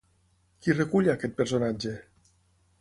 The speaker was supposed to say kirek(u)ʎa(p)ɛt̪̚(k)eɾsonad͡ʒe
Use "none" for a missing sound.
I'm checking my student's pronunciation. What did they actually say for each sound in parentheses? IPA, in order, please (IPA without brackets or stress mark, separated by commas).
u, k, p